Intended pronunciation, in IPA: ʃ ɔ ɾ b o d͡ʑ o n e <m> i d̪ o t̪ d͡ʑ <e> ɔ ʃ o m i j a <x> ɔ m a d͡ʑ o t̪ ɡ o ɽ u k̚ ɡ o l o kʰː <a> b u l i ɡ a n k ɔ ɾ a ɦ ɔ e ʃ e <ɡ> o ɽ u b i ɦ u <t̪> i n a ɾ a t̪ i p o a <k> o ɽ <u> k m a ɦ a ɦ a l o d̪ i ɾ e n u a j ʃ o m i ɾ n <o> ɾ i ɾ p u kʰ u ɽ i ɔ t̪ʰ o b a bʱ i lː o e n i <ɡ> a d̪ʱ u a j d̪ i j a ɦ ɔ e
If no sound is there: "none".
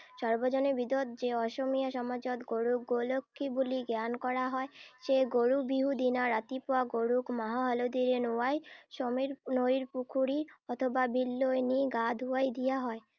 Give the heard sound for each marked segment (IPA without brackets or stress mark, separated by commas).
b, e, ʃ, i, ɡ, d̪, ɡ, u, o, ɡ